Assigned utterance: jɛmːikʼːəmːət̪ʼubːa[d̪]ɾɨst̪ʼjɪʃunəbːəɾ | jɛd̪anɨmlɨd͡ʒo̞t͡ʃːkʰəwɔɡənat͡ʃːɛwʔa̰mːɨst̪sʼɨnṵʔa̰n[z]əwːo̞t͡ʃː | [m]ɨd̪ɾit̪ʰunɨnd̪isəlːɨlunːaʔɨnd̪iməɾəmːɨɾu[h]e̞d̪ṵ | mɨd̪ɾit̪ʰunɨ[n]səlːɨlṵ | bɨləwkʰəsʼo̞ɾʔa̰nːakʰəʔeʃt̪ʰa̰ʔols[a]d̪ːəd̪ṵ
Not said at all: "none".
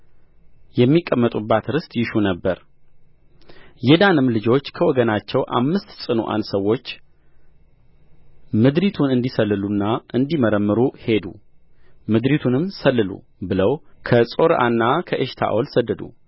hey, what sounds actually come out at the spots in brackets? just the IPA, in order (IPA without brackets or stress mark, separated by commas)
t̪, s, m, h, m, ə